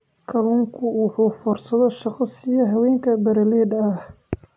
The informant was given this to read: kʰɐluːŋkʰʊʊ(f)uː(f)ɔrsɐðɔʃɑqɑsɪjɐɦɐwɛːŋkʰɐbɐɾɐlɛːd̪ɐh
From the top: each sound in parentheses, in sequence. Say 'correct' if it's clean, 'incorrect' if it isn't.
incorrect: ħ, correct

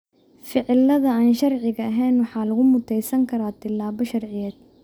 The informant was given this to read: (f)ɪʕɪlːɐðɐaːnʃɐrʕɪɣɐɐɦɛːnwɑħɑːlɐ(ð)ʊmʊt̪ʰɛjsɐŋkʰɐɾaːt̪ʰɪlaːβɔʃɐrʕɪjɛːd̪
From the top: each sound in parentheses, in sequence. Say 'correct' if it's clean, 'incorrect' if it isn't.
correct, incorrect: ɣ

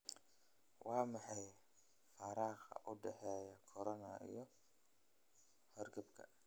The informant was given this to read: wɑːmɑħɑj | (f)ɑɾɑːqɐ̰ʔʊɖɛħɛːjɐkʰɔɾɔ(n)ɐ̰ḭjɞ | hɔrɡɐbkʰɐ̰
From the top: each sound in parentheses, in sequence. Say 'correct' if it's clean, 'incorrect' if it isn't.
correct, correct

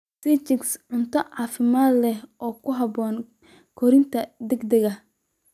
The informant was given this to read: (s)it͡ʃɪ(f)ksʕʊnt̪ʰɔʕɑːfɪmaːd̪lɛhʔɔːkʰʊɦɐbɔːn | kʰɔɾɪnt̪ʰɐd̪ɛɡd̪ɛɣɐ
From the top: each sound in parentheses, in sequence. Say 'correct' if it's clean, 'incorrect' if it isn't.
correct, incorrect: none

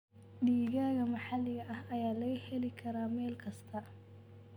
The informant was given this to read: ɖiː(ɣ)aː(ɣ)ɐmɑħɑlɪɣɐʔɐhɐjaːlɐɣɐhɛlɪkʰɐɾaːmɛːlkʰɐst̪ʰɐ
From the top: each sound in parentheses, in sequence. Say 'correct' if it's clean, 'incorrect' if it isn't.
correct, correct

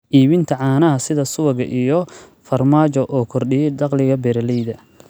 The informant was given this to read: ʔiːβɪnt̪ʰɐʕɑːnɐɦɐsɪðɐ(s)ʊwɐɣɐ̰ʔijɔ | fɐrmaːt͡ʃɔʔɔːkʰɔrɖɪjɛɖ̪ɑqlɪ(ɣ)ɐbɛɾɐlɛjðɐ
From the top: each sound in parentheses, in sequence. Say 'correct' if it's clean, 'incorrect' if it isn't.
correct, correct

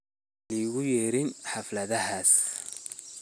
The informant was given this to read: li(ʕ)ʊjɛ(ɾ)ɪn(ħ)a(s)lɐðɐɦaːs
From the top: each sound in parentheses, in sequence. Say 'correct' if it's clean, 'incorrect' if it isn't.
incorrect: ɣ, correct, correct, incorrect: f

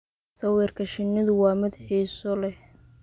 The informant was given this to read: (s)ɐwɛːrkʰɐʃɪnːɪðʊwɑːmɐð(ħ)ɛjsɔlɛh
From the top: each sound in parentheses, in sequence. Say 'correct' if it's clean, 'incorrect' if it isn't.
correct, correct

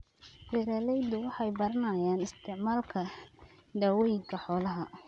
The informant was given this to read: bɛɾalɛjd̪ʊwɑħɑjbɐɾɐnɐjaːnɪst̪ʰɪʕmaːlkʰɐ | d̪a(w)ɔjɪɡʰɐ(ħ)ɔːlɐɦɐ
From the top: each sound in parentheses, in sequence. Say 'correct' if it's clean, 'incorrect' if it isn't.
correct, correct

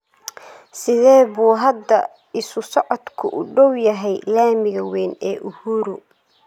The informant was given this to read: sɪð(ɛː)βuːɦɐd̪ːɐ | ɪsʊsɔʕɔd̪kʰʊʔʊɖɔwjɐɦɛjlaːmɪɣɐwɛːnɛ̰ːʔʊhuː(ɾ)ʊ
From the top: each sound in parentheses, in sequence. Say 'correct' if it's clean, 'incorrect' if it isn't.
correct, correct

